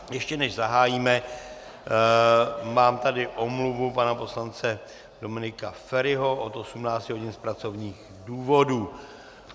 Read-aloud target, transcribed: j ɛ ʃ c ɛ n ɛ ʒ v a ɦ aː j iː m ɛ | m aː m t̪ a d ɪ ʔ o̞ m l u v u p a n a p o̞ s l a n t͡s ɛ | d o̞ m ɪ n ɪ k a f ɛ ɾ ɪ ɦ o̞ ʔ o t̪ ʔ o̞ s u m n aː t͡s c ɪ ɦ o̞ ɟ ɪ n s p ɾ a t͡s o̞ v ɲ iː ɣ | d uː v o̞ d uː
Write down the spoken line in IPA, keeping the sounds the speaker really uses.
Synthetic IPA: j ɛ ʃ c ɛ n ɛ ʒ z a ɦ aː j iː m ɛ | m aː m t̪ a d ɪ ʔ o̞ m l u v u p a n a p o̞ s l a n t͡s ɛ | d o̞ m ɪ n ɪ k a f ɛ ɾ ɪ ɦ o̞ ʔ o t̪ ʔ o̞ s u m n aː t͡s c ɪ ɦ o̞ ɟ ɪ n s p ɾ a t͡s o̞ v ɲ iː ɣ | d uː v o̞ d uː